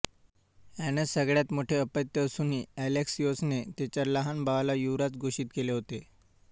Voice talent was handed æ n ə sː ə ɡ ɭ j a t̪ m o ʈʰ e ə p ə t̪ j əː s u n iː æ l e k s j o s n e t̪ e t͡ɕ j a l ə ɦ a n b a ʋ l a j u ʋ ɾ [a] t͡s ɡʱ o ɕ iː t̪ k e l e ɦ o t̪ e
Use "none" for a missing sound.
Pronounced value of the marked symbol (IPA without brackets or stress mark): a